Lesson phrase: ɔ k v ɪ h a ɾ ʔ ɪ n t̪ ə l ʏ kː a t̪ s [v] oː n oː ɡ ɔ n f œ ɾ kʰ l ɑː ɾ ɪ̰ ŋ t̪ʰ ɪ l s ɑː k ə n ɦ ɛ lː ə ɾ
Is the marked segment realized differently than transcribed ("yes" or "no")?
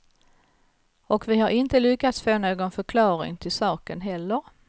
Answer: yes